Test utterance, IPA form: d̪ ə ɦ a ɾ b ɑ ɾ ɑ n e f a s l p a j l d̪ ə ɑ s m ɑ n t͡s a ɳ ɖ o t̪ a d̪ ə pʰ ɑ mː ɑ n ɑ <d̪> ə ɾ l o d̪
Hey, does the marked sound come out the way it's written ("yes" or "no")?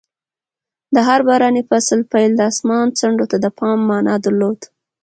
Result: yes